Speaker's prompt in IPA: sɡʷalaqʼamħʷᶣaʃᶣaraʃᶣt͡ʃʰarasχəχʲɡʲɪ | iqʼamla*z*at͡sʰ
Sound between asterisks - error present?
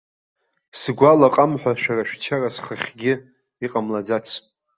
yes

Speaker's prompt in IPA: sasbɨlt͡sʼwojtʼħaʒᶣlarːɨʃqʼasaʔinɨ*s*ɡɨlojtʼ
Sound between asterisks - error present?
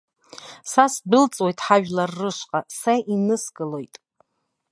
no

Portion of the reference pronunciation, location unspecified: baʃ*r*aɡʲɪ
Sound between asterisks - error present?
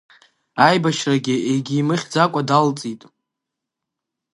no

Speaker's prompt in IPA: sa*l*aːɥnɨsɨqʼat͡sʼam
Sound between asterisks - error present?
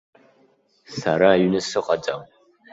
yes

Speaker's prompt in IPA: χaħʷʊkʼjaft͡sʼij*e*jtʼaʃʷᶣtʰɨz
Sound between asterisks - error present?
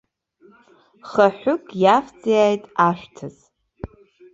yes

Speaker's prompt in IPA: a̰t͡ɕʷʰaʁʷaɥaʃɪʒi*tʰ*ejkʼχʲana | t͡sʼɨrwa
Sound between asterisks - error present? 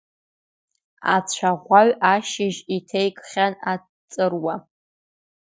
no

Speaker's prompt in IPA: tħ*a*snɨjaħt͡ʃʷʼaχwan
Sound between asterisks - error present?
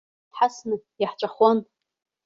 no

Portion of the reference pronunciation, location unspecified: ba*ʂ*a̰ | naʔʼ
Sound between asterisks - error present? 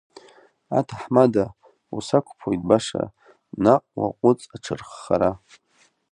no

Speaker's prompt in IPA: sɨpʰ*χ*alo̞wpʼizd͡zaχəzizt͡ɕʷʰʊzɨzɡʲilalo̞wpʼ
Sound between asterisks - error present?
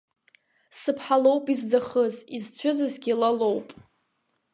yes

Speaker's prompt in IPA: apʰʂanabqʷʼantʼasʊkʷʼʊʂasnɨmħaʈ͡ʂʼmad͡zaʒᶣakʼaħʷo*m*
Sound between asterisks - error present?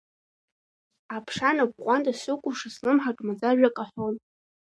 yes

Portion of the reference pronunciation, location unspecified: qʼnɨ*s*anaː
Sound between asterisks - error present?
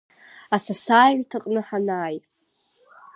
yes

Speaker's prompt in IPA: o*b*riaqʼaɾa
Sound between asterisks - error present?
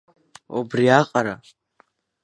no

